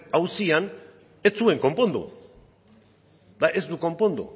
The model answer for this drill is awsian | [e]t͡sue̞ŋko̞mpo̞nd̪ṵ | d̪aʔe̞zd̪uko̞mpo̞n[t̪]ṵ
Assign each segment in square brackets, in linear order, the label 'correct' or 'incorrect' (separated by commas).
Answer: correct, incorrect